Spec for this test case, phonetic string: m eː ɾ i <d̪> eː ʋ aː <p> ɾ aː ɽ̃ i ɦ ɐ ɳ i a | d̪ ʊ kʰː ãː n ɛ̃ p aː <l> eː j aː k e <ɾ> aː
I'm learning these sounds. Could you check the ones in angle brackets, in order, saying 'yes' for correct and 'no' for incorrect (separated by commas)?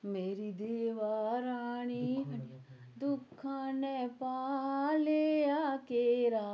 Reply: yes, no, yes, yes